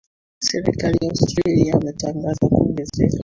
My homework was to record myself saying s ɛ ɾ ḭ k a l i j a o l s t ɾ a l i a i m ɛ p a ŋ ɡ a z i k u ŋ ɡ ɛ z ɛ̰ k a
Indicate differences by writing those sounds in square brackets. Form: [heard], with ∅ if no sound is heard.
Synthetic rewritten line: s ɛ ɾ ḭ k a l i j a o [∅] s t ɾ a l i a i m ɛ [t] a ŋ ɡ a z [a] k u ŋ ɡ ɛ z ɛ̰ k a